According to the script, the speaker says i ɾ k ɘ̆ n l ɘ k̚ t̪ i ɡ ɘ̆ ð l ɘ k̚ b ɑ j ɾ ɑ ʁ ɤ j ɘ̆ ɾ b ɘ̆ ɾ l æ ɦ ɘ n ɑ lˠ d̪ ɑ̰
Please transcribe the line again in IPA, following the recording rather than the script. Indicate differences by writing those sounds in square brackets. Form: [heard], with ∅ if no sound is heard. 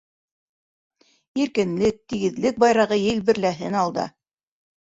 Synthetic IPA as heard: i ɾ k ɘ̆ n l ɘ k̚ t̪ i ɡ ɘ̆ ð l ɘ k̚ b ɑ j ɾ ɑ ʁ ɤ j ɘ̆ [l] b ɘ̆ ɾ l æ ɦ ɘ n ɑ lˠ d̪ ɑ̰